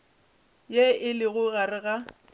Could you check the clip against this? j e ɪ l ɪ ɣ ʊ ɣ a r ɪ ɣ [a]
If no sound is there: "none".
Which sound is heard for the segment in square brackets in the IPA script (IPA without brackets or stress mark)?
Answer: a